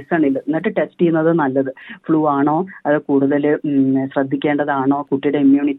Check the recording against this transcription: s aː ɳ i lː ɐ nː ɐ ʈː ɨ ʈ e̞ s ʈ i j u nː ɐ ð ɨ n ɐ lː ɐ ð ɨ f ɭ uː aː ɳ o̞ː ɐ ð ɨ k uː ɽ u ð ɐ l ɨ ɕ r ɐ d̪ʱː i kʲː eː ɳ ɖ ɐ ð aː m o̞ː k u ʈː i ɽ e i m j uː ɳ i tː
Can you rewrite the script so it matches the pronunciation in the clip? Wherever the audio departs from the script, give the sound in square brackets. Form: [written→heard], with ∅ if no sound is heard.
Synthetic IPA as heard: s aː ɳ i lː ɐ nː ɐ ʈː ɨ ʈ e̞ s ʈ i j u nː ɐ ð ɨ n ɐ lː ɐ ð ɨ f ɭ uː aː ɳ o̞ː ɐ ð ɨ k uː ɽ u ð ɐ l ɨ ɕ r ɐ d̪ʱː i kʲː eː ɳ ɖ ɐ ð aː [m→ɳ] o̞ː k u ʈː i ɽ e i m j uː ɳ i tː